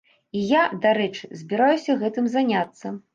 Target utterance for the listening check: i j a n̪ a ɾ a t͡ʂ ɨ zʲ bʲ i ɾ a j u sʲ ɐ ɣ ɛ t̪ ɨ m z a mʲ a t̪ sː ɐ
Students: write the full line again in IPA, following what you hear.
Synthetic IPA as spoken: i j a d̪ a ɾ ɛ t͡ʂ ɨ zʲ bʲ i ɾ a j u sʲ ɐ ɣ ɛ t̪ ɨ m z a nʲ a t̪ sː ɐ